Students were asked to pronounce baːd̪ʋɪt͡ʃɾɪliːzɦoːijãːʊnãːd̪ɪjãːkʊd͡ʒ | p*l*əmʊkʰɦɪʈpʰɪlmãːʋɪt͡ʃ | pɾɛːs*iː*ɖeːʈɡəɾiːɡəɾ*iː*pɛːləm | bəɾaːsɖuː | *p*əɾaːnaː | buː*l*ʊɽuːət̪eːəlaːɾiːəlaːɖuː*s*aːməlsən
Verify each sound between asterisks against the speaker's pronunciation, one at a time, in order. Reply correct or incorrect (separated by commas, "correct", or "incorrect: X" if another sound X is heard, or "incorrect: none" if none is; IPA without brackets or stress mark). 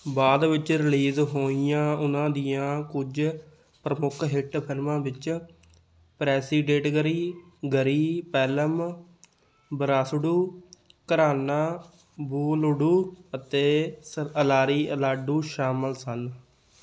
incorrect: ɾ, correct, correct, incorrect: k, correct, incorrect: ʃ